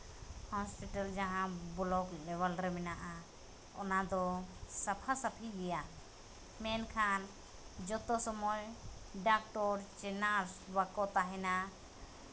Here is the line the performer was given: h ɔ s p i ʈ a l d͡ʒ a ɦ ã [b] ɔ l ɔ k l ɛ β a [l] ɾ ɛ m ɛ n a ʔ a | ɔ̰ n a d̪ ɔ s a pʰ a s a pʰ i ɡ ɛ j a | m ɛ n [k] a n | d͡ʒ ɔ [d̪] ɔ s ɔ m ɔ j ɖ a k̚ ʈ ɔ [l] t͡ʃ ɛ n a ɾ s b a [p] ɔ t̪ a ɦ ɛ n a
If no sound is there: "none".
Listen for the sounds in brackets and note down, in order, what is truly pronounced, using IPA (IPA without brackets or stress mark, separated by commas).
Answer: b, l, kʰ, t̪, ɾ, k